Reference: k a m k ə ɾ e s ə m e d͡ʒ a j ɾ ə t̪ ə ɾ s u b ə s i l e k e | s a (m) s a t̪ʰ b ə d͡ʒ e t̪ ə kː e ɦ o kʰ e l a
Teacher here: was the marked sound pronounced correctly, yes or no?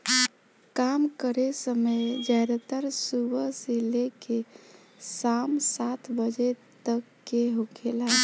yes